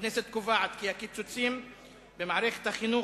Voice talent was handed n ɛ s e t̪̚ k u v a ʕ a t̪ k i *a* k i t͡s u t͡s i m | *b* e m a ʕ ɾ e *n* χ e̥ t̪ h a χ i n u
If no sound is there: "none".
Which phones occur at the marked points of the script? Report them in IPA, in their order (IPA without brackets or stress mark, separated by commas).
a, b, none